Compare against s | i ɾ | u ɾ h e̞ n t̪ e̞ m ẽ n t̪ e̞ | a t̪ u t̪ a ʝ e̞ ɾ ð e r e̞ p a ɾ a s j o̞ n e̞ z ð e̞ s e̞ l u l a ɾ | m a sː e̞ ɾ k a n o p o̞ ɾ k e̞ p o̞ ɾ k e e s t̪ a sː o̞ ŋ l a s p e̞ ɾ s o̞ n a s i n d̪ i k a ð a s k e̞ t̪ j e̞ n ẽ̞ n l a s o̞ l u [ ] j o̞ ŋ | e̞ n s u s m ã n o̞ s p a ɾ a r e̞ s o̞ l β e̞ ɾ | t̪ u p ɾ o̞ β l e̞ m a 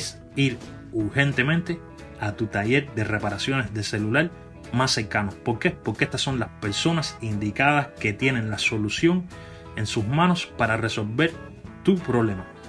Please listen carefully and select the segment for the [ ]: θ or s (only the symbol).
s